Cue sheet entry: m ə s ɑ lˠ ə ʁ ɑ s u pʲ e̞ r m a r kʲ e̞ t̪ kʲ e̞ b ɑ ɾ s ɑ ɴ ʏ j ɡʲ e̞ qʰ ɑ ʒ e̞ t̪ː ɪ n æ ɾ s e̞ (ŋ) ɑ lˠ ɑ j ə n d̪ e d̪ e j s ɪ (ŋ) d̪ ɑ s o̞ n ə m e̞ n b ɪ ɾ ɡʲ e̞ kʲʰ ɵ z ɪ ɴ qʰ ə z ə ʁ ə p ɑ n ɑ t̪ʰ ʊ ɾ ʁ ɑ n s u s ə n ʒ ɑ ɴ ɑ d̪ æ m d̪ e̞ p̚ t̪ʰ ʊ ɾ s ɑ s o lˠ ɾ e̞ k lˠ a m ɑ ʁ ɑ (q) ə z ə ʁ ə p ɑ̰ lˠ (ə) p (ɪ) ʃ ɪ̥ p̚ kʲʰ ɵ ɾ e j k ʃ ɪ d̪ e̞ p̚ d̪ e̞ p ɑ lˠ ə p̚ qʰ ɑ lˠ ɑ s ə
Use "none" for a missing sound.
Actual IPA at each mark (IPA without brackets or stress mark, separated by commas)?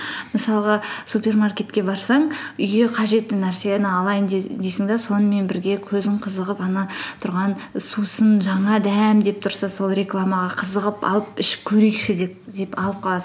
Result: n, ŋ, qʰ, ə, ɪ